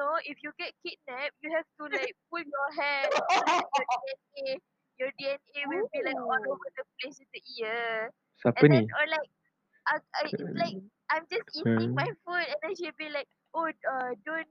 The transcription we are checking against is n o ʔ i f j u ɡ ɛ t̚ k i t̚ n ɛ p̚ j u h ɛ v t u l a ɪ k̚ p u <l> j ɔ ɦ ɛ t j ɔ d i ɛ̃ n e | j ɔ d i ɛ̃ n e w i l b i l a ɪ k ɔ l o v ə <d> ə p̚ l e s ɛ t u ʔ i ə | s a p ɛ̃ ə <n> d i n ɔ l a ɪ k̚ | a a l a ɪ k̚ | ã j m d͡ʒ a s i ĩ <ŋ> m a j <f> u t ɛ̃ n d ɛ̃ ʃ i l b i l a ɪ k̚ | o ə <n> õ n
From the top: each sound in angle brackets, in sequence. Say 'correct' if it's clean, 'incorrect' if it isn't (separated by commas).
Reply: correct, correct, correct, correct, correct, incorrect